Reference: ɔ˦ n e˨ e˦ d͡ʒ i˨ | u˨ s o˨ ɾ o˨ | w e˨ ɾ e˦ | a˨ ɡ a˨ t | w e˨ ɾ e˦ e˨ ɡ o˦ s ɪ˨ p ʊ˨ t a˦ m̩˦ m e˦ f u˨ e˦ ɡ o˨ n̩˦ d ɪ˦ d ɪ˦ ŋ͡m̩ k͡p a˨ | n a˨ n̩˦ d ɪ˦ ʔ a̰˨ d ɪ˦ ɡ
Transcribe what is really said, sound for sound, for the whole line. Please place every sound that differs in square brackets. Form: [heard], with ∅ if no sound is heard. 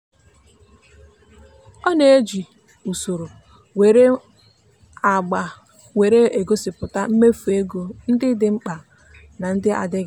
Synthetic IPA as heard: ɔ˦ n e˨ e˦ d͡ʒ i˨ | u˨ s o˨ ɾ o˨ | w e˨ ɾ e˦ | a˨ [ɡ͡b] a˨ [∅] | w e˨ ɾ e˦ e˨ ɡ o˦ s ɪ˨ p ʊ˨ t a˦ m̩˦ m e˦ f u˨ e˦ ɡ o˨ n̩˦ d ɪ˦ d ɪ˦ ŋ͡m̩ k͡p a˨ | n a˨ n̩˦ d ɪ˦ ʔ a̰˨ d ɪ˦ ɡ